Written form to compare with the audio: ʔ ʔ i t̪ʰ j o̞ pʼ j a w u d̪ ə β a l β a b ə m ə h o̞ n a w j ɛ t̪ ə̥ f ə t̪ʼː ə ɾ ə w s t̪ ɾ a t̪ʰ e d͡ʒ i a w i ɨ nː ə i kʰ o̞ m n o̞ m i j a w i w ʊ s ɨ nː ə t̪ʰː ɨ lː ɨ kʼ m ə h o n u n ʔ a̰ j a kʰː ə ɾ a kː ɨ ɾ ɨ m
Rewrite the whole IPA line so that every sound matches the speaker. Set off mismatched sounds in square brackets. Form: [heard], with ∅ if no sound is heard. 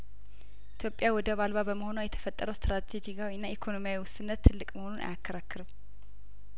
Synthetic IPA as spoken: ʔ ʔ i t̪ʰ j o̞ pʼ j a w [ɔ] d̪ ə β a l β a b ə m ə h o̞ n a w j ɛ [t̪ʰ] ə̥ f ə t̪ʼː ə ɾ ə w s t̪ ɾ a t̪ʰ e d͡ʒ i a w i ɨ nː [a] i kʰ o̞ [∅] n o̞ m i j a w i w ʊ s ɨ nː ə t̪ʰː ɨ lː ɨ kʼ m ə h o n u n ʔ a̰ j a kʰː ə ɾ a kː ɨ ɾ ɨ m